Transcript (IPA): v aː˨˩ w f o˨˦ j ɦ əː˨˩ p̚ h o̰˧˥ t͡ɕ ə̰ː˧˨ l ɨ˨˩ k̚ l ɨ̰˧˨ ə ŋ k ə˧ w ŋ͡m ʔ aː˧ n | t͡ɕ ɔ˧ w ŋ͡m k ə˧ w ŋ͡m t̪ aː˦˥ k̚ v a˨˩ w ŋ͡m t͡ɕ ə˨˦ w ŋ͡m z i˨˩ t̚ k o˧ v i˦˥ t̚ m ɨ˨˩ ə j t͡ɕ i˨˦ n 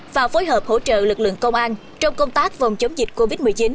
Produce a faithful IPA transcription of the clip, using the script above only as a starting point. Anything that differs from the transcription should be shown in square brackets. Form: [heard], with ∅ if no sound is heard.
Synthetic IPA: v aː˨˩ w f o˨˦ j ɦ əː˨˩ p̚ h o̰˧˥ t͡ɕ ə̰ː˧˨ l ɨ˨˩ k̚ l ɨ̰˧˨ ə ŋ k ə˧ w ŋ͡m ʔ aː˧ n | t͡ɕ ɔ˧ w ŋ͡m k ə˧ w ŋ͡m t̪ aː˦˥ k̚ v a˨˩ w ŋ͡m t͡ɕ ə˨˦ w ŋ͡m z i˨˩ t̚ k o˧ v i˦˥ t̚ m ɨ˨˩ ə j t͡ɕ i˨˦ n